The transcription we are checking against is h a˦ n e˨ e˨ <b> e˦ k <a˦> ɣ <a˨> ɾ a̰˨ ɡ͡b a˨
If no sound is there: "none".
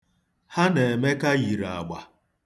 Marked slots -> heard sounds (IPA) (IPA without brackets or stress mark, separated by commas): m, a˦, i˨